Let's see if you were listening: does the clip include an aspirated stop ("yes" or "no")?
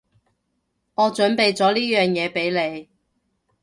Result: no